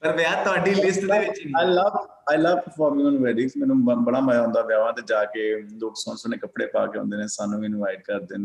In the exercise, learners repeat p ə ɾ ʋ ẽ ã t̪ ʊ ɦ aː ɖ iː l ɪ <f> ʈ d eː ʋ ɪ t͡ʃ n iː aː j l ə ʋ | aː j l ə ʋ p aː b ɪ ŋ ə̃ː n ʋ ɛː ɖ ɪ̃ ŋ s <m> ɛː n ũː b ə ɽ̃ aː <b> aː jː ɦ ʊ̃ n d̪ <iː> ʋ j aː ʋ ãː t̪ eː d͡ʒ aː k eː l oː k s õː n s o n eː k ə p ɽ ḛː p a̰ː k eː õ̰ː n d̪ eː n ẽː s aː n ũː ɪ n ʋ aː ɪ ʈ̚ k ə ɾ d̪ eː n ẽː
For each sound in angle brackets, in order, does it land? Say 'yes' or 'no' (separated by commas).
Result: no, yes, no, no